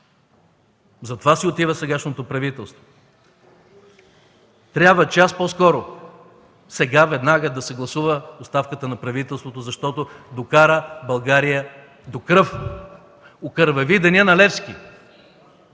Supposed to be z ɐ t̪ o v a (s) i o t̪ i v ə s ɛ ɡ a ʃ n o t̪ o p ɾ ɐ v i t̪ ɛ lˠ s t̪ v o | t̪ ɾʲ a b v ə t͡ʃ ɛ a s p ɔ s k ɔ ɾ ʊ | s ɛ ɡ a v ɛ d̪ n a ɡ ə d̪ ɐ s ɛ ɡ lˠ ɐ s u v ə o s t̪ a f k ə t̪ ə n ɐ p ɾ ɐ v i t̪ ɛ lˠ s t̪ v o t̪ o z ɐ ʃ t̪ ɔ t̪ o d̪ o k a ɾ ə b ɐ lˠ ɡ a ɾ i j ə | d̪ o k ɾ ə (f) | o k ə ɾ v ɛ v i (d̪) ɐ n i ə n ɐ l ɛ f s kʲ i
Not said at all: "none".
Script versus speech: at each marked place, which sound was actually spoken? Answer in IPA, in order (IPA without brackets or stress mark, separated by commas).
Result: s, f, d̪